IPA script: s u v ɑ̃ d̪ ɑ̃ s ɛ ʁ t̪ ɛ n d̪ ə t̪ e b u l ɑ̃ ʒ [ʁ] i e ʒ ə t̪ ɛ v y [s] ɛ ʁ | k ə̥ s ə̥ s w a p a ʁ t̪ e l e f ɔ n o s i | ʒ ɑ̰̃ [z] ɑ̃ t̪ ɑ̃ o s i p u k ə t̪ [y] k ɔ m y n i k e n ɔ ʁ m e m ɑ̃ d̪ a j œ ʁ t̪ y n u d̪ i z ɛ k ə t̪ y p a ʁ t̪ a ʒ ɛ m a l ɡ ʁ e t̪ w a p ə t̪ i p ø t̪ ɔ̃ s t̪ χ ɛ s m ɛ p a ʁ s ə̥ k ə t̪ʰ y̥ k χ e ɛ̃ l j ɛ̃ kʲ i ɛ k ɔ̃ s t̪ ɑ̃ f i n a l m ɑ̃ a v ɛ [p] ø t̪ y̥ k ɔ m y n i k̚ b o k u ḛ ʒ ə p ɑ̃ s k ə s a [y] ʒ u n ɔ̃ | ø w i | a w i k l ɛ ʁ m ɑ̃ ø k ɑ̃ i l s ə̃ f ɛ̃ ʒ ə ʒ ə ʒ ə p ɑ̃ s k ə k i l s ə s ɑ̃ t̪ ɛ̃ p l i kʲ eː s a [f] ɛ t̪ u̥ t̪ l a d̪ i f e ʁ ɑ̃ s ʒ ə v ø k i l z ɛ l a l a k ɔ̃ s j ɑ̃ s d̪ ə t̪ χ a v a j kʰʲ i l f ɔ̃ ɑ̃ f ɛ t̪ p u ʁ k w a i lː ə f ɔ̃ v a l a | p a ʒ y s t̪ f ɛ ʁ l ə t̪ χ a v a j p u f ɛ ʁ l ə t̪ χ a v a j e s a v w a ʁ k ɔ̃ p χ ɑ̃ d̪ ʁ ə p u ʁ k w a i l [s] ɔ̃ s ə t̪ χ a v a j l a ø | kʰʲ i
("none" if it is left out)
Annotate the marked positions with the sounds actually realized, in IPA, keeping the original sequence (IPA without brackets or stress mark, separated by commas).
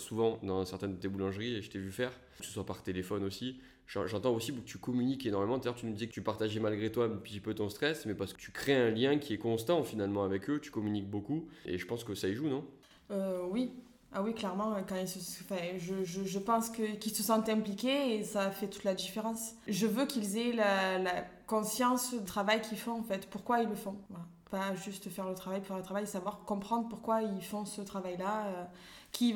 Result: ʁ, f, ʒ, y, k, i, f, f